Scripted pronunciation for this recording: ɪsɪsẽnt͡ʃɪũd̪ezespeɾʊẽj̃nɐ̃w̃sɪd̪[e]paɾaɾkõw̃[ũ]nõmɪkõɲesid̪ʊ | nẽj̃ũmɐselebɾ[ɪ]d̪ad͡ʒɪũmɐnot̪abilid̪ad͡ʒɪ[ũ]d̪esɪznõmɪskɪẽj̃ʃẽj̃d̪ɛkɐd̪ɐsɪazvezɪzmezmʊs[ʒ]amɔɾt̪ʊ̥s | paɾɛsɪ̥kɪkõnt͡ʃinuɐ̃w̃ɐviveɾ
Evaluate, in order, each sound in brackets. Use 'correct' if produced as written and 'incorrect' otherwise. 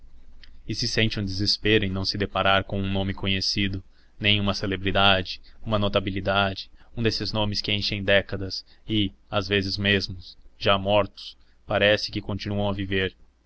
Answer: correct, correct, incorrect: i, correct, correct

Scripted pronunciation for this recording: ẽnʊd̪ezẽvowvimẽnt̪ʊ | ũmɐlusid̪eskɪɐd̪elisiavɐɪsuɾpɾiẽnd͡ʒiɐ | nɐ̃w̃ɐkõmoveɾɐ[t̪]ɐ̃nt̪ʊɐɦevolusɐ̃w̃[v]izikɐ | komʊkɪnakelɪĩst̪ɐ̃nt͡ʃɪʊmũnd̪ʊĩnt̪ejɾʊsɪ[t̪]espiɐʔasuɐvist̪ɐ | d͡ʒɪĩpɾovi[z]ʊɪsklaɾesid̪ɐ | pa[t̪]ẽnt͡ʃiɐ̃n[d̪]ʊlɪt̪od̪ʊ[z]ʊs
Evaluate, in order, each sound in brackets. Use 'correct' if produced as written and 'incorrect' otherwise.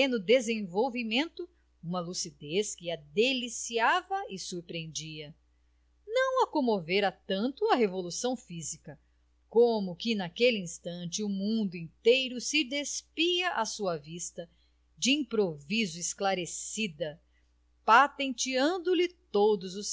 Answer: correct, incorrect: f, incorrect: d̪, correct, correct, correct, correct

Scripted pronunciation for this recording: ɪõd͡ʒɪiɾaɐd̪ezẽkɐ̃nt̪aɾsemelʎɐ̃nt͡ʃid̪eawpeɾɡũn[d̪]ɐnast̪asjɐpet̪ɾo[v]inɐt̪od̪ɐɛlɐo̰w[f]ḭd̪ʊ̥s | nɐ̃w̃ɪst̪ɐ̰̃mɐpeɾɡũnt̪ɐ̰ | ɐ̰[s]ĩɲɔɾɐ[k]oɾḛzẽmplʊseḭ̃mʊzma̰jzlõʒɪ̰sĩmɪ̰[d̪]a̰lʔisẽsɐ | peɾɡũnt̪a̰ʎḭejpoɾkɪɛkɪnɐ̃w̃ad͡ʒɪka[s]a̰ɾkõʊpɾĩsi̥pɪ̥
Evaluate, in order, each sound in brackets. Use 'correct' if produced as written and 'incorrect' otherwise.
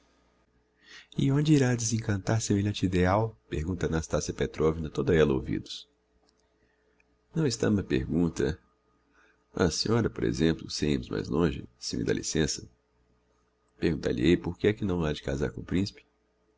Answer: incorrect: t̪, correct, incorrect: v, correct, incorrect: p, correct, incorrect: z

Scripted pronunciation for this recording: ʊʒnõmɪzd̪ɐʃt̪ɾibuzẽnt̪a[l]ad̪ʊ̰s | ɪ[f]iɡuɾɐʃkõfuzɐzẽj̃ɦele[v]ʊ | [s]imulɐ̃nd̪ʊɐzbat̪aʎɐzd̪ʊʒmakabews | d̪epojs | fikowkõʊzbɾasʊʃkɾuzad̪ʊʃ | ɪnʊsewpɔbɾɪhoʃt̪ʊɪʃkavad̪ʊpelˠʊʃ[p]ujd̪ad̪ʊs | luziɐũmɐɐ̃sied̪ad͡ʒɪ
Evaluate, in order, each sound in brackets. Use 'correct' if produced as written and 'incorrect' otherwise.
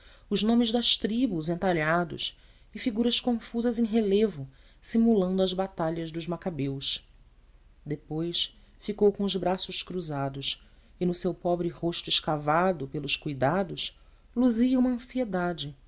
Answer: incorrect: ʎ, correct, correct, correct, incorrect: k

